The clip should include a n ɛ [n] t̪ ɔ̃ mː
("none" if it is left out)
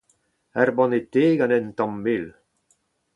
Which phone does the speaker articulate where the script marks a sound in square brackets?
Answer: n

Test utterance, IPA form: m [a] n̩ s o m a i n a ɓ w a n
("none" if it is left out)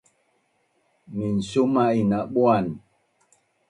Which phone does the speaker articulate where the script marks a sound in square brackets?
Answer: i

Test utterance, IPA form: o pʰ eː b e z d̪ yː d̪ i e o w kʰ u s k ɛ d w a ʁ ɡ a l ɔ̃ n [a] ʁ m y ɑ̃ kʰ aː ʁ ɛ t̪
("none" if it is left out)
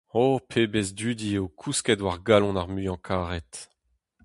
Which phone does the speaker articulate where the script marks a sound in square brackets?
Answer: a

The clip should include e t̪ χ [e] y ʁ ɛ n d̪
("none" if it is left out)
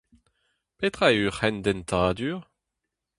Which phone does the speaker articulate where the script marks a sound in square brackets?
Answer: a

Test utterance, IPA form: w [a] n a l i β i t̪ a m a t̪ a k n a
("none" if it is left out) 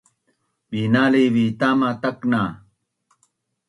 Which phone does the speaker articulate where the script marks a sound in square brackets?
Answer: i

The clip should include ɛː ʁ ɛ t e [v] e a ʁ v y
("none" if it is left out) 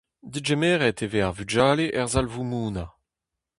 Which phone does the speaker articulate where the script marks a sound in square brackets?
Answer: v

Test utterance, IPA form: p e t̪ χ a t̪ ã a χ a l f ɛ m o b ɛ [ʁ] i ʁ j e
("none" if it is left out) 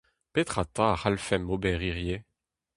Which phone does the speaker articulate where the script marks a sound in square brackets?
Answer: ʁ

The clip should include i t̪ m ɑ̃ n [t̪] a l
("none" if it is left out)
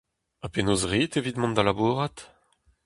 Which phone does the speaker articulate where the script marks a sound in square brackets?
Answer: d̪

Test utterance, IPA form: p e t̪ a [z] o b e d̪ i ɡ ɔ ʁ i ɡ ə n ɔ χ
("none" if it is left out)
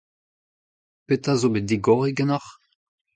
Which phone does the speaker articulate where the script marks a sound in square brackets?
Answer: z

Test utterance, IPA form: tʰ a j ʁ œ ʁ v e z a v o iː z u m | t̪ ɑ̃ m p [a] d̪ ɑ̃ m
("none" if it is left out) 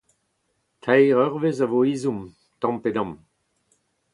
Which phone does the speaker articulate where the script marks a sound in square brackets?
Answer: e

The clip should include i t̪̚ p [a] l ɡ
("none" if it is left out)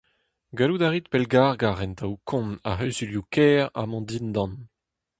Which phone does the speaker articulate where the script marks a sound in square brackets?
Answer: ɛ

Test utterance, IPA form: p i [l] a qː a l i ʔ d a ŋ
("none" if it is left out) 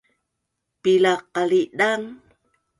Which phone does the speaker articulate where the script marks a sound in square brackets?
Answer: l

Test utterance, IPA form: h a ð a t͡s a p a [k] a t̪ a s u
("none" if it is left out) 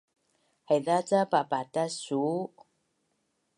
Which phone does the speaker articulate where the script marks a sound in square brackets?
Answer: p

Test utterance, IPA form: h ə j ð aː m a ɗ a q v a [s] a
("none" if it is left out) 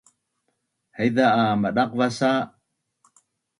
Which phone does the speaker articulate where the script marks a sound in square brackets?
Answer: s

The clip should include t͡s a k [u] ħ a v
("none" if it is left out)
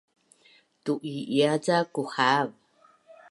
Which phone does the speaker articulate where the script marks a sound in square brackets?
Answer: u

